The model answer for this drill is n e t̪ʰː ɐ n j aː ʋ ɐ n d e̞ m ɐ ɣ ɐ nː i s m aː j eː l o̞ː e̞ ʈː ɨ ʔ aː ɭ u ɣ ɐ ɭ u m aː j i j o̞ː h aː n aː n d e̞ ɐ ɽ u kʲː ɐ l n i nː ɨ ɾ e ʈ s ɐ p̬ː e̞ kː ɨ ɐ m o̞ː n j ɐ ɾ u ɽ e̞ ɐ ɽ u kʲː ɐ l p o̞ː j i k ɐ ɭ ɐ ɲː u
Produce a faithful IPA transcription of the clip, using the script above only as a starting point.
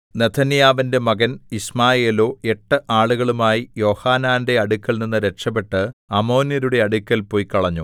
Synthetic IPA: n e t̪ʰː ɐ n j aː ʋ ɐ n d e̞ m ɐ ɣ ɐ n i s m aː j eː l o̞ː e̞ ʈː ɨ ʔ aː ɭ u ɣ ɐ ɭ u m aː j i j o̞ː h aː n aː n d e̞ ɐ ɽ u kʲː ɐ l n i nː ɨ ɾ e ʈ ʂ ɐ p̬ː e̞ ʈː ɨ ɐ m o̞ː n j ɐ ɾ u ɽ e̞ ɐ ɽ u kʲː ɐ l p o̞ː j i k ɐ ɭ ɐ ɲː u